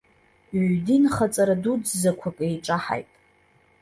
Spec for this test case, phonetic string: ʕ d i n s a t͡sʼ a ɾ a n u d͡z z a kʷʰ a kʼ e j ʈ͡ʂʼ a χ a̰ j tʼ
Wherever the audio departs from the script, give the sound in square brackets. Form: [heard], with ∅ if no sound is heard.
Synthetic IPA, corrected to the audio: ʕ d i n [χ] a t͡sʼ a ɾ a [d] u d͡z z a kʷʰ a kʼ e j ʈ͡ʂʼ a [ħ] a̰ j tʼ